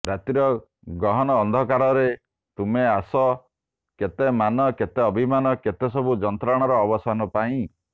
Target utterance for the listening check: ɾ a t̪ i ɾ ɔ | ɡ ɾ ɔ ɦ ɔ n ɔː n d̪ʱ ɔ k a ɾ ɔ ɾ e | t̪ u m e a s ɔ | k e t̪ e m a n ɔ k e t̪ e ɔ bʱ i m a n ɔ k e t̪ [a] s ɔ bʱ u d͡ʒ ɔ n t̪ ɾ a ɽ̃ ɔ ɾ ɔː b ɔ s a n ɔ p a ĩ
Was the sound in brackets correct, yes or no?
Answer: no